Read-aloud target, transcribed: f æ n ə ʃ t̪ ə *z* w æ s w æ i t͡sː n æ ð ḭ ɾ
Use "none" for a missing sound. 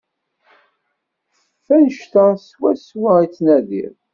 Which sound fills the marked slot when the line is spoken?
s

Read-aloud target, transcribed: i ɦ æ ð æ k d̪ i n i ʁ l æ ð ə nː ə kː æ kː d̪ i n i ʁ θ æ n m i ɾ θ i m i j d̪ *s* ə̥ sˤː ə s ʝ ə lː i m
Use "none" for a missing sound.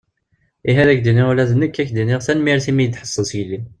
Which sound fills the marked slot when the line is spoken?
ħ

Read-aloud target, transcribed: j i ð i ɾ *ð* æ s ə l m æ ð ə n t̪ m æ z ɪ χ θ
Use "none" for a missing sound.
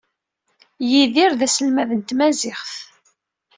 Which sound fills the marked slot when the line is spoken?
ð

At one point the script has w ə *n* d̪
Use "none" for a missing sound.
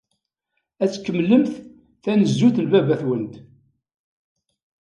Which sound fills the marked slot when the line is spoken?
n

